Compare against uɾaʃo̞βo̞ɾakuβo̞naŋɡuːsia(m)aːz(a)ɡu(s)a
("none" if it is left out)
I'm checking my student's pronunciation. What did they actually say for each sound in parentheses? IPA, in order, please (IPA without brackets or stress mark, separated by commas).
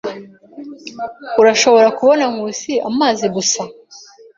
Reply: m, i, s